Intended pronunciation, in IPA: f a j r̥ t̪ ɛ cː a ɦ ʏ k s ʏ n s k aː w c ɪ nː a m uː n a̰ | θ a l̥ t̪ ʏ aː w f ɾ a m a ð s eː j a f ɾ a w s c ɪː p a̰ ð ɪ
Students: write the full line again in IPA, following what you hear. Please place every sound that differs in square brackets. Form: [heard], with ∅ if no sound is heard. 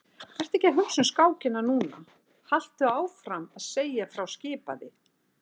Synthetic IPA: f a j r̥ t̪ ɛ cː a ɦ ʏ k s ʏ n s k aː w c ɪ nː a [n] uː n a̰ | [h] a l̥ t̪ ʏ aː w f ɾ a m a ð s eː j a f ɾ a w s c ɪː p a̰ ð ɪ